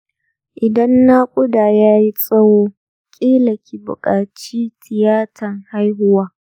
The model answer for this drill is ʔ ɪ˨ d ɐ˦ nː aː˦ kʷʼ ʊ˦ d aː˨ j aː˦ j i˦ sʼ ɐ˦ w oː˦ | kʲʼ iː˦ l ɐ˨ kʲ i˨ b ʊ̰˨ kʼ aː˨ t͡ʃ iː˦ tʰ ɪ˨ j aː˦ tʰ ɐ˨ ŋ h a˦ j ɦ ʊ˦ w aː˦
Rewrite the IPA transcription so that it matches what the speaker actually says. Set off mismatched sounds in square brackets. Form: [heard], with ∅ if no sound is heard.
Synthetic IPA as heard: ʔ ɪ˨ d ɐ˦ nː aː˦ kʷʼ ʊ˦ d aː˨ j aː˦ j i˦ sʼ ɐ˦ w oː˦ | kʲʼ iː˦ l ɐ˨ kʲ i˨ b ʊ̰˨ kʼ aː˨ t͡ʃ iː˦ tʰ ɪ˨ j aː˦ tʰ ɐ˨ ŋ h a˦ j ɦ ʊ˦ w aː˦

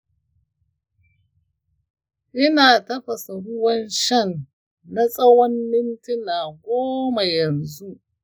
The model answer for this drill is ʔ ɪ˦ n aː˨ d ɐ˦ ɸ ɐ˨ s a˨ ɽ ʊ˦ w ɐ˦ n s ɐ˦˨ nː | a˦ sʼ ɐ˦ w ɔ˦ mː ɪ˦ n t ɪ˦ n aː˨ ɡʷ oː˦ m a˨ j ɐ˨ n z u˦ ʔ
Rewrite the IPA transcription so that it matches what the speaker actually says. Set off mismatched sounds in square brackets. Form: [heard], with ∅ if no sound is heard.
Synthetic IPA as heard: ʔ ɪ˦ n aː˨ [t] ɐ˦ ɸ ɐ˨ s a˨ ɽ ʊ˦ w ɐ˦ n [ʃ] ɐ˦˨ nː | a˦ sʼ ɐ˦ w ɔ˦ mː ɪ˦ n t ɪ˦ n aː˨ ɡʷ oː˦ m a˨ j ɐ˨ n z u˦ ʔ

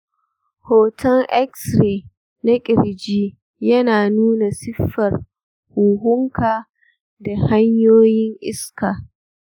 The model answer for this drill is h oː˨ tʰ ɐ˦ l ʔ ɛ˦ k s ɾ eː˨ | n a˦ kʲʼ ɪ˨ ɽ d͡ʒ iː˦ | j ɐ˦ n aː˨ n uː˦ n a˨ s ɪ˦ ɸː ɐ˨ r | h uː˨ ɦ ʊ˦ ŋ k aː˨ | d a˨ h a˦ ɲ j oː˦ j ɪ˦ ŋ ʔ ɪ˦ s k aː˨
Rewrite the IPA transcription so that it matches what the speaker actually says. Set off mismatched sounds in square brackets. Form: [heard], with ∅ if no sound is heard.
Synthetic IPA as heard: h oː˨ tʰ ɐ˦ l ʔ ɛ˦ k s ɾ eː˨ | n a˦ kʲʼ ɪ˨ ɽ d͡ʒ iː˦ | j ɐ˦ n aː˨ n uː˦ n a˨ s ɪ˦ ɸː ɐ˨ r | h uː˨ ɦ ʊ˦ ŋ k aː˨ | d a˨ h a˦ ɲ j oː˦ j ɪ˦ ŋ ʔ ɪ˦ s k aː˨

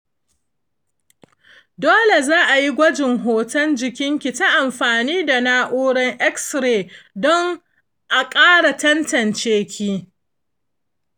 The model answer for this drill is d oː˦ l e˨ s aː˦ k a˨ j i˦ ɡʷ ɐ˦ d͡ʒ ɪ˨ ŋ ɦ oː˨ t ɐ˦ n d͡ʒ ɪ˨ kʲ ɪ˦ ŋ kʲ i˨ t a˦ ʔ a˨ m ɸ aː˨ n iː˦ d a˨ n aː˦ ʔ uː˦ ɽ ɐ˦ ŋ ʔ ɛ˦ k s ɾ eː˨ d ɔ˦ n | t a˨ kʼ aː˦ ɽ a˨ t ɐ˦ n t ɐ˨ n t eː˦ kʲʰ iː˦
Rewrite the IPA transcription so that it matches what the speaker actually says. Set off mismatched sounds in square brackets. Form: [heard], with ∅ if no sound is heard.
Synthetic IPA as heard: d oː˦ l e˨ [z] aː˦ [ʔ] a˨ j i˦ ɡʷ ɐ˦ d͡ʒ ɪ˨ ŋ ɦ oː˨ t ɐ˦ n d͡ʒ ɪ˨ kʲ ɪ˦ ŋ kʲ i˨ t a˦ ʔ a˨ m ɸ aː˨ n iː˦ d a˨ n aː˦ ʔ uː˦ ɽ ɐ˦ ŋ ʔ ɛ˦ k s ɾ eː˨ d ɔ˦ [ŋ] | [ʔ] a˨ kʼ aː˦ ɽ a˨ t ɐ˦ n t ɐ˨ n [t͡ʃ] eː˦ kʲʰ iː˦

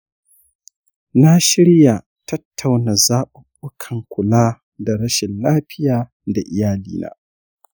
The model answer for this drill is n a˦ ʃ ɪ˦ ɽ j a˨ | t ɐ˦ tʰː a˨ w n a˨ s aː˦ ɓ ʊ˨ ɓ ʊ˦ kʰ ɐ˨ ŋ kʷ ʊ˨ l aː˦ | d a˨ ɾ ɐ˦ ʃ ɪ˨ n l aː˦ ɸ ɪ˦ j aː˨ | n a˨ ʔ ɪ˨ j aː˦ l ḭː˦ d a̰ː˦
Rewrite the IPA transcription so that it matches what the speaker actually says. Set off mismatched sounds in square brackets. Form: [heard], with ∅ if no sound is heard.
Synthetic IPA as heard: n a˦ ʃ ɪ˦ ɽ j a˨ | t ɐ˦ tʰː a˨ w n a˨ [z] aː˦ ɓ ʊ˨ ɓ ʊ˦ kʰ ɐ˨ ŋ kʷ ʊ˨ l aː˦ | d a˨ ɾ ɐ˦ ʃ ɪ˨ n l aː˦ ɸ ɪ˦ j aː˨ | [d] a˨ ʔ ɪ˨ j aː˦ l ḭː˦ [n] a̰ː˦

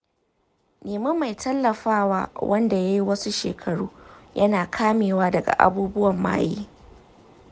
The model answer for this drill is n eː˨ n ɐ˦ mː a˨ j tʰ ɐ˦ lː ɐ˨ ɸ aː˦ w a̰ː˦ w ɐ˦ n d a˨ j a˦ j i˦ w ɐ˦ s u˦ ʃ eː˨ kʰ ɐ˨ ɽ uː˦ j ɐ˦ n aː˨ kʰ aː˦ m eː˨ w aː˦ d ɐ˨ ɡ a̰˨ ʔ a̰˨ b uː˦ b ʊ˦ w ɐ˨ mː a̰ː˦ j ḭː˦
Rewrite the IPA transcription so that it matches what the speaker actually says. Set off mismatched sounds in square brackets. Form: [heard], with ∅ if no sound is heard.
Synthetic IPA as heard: n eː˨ [m] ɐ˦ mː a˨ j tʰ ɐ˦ lː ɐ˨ ɸ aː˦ w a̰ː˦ w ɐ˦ n d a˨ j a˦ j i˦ w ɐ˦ s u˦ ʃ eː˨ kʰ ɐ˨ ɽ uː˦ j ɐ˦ n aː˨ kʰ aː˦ m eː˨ w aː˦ d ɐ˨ ɡ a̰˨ ʔ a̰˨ b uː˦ b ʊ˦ w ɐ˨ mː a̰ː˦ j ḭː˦

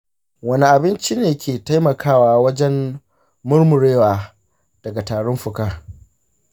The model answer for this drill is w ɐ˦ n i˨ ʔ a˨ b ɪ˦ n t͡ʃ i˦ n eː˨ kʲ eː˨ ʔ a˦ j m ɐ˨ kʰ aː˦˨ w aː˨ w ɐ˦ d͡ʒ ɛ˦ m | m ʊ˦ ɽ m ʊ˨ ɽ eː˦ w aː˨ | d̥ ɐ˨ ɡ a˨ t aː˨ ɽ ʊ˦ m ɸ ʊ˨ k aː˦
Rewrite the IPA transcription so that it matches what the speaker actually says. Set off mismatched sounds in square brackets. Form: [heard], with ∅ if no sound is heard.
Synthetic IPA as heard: w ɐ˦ n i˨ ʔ a˨ b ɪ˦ n t͡ʃ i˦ n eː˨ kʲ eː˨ [t] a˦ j m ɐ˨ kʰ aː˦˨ w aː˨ w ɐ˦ d͡ʒ ɛ˦ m | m ʊ˦ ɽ m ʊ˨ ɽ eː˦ w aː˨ | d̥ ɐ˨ ɡ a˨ t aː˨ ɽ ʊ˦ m ɸ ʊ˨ k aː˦

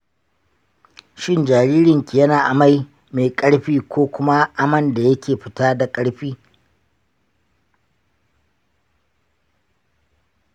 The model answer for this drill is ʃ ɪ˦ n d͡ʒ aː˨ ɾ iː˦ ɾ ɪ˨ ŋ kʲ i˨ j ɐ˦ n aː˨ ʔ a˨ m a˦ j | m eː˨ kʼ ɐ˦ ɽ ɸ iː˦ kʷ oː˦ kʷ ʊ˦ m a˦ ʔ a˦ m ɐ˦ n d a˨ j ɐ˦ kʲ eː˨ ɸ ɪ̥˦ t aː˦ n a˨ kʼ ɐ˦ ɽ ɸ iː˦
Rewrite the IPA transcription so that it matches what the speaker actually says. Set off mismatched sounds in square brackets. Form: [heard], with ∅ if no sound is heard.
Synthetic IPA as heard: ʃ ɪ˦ n d͡ʒ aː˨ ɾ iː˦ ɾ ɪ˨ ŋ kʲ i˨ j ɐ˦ n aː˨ ʔ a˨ m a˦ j | m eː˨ kʼ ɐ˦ ɽ ɸ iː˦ kʷ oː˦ kʷ ʊ˦ m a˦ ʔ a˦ m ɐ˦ n d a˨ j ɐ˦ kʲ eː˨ ɸ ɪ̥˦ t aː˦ [d] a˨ kʼ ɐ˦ ɽ ɸ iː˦

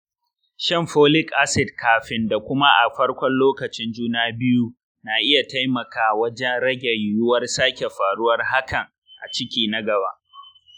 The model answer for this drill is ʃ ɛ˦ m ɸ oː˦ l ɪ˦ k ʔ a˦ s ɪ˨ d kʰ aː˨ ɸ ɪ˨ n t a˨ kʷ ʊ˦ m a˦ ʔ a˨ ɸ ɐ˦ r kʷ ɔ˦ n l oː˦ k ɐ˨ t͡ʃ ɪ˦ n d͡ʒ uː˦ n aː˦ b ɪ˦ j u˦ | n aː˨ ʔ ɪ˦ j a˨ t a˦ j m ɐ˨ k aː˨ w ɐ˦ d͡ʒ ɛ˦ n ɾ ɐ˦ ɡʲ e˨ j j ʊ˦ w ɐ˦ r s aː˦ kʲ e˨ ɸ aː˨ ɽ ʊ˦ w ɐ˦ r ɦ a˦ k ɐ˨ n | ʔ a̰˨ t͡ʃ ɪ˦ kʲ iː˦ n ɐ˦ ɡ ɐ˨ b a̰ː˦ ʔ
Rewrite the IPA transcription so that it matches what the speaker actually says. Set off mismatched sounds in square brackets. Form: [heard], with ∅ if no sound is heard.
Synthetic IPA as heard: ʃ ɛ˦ m ɸ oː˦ l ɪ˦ k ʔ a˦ s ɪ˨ d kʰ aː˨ ɸ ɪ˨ n [d] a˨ kʷ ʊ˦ m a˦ ʔ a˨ ɸ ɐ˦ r kʷ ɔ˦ n l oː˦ k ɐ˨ t͡ʃ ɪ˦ n d͡ʒ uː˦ n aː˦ b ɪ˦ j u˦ | n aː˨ ʔ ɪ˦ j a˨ t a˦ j m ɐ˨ k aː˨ w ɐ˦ d͡ʒ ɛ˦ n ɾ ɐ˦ ɡʲ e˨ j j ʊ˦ w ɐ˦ r s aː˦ kʲ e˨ ɸ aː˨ ɽ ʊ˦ w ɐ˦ r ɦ a˦ k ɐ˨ [ŋ] | ʔ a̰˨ t͡ʃ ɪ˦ kʲ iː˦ n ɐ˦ ɡ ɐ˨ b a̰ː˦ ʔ

